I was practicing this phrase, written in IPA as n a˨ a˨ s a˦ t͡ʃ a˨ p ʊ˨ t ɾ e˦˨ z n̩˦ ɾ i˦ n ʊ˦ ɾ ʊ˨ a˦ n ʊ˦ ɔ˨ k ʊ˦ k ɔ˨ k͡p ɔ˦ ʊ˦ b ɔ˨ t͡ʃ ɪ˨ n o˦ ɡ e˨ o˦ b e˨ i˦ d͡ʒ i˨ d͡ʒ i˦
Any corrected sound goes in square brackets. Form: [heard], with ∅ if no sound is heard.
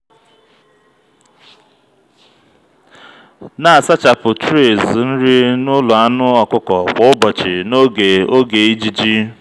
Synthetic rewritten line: n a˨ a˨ s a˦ t͡ʃ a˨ p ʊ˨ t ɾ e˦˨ z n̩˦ ɾ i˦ n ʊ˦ [l] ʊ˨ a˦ n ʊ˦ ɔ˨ k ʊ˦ k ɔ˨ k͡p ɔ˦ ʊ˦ b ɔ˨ t͡ʃ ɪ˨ n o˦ ɡ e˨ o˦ [ɡ] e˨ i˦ d͡ʒ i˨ d͡ʒ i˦